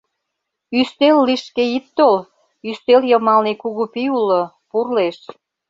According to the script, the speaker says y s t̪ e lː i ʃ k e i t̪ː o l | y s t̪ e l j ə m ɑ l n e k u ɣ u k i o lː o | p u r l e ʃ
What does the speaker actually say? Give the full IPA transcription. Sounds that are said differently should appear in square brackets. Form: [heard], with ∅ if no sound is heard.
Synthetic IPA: y s t̪ e lː i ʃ k e i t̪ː o l | y s t̪ e l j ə m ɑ l n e k u ɣ u [p] i [u] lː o | p u r l e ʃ